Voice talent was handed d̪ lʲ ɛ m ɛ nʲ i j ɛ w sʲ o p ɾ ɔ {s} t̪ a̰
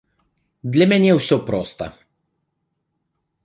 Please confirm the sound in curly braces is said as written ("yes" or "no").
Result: yes